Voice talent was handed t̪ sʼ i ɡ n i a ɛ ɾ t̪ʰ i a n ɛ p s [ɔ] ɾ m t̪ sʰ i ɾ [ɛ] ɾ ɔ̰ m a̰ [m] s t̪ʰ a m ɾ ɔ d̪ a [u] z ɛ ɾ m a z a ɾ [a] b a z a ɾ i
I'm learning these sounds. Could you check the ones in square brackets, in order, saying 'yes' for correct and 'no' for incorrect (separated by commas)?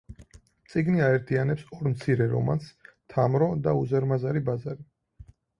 yes, yes, no, yes, no